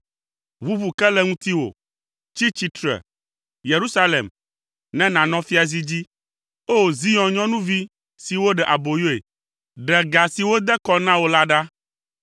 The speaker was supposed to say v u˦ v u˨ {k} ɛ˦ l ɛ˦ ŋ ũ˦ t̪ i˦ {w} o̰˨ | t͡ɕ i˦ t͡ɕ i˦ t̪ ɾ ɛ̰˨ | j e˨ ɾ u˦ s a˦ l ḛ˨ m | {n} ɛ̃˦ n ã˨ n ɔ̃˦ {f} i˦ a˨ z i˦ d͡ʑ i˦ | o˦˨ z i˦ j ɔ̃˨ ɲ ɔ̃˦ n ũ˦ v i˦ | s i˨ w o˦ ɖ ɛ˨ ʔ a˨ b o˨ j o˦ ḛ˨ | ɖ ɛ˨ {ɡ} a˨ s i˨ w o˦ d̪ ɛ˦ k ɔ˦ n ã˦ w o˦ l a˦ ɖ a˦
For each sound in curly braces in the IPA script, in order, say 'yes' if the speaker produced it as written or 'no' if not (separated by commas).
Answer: yes, yes, yes, yes, yes